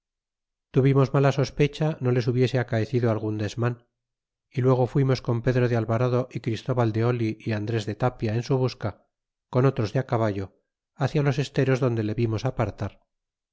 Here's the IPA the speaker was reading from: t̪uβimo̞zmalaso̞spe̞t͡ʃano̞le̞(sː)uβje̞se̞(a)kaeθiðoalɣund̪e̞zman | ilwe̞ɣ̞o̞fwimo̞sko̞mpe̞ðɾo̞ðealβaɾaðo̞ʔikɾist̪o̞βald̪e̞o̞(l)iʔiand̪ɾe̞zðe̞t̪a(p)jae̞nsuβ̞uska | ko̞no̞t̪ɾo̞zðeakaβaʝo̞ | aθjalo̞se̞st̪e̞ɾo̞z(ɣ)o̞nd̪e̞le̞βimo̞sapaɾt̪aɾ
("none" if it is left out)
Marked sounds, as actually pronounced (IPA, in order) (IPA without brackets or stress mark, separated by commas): s, a, l, p, ð